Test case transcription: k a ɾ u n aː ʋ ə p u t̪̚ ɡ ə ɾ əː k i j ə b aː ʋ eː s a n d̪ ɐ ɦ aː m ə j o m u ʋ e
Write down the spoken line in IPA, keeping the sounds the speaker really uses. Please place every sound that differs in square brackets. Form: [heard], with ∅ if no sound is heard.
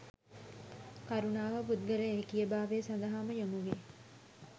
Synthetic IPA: k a ɾ u n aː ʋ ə p u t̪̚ ɡ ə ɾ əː k i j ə b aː ʋ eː s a n d̪ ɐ ɦ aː m ə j o m u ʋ e